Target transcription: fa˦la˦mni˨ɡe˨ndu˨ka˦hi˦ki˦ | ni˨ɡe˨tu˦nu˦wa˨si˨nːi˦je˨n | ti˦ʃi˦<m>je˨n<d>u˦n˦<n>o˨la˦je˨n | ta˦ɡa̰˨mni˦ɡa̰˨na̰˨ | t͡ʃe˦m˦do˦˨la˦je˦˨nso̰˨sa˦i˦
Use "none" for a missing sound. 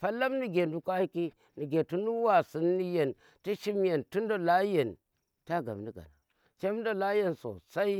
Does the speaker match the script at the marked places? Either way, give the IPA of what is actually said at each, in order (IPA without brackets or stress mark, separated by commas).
m, t, d